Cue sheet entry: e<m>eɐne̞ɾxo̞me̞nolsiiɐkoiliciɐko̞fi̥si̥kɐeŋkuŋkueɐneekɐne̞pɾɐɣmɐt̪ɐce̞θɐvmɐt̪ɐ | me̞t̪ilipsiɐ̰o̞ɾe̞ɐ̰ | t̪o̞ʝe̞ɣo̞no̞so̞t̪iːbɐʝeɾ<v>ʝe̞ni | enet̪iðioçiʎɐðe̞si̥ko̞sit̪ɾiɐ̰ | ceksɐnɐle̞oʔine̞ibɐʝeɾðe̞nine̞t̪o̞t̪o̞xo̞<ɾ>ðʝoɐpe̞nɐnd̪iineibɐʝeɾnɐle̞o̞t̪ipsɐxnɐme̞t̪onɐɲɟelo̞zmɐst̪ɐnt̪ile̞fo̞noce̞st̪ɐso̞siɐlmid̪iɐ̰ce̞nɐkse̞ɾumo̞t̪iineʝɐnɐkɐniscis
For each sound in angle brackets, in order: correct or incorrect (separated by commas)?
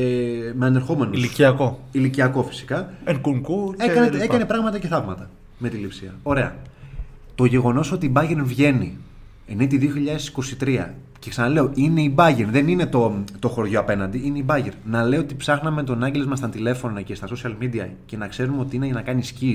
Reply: correct, correct, correct